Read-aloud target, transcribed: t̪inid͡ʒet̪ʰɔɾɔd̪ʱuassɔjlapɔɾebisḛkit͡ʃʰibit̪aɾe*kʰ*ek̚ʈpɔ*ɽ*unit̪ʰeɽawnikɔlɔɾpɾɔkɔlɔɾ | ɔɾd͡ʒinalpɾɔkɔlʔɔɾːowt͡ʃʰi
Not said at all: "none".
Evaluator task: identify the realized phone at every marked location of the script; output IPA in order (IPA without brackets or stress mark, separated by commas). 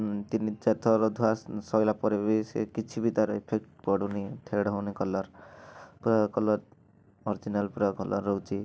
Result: pʰ, ɽ